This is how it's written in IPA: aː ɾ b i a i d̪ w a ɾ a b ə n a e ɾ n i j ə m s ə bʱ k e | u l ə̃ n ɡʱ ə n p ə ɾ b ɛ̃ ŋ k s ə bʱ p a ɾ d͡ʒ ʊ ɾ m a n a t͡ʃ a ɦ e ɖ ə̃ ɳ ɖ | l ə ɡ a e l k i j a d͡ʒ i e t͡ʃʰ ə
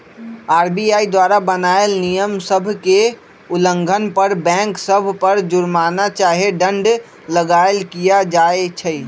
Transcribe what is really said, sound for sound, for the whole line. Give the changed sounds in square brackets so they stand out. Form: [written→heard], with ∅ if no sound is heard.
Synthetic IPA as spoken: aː ɾ b i a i d̪ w a ɾ a b ə n a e [ɾ→l] n i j ə m s ə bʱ k e | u l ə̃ [n→ŋ] ɡʱ ə n p ə ɾ b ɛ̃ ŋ k s ə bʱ p [a→ə] ɾ d͡ʒ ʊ ɾ m a n a t͡ʃ a ɦ e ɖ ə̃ ɳ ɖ | l ə ɡ a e l k i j a d͡ʒ [i→a] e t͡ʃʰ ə